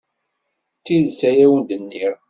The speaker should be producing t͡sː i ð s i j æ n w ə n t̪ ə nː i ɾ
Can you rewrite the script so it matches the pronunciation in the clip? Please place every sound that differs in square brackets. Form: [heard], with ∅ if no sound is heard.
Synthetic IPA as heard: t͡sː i ð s [æ] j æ [∅] w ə n [d̪] ə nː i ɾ